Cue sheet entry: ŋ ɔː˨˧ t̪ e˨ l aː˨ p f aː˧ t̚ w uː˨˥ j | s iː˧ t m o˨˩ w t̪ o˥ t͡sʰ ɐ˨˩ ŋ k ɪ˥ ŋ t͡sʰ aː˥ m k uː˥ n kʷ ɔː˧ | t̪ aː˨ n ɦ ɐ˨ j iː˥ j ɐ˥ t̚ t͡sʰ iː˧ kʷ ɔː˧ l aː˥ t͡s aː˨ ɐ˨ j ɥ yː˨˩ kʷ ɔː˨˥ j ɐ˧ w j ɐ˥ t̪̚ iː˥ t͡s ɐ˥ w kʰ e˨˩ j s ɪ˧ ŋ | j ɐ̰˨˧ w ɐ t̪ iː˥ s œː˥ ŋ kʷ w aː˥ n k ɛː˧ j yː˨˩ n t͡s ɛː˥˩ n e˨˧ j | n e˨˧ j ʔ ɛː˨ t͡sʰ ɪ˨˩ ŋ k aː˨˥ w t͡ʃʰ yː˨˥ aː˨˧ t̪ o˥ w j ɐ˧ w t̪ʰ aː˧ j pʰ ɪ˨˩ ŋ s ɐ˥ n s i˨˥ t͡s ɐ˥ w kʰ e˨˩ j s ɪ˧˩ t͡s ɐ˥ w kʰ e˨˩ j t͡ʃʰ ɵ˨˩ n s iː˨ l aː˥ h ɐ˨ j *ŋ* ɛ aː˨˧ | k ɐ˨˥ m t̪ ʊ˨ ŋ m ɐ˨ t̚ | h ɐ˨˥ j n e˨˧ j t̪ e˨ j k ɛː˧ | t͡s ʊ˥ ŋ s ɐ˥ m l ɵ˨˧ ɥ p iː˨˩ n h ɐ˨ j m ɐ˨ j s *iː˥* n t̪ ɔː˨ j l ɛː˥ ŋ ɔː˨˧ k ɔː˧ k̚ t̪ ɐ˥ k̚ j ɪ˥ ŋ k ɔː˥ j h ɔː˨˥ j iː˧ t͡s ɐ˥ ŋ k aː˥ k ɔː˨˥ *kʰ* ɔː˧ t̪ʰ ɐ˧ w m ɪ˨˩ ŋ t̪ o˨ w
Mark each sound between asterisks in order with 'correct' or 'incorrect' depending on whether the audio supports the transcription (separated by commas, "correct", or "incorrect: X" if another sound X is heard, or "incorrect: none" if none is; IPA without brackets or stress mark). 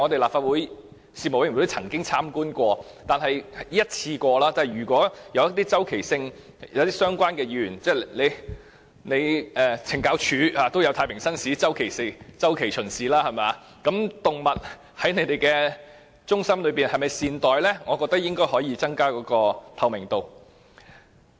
incorrect: m, incorrect: iː˨, incorrect: k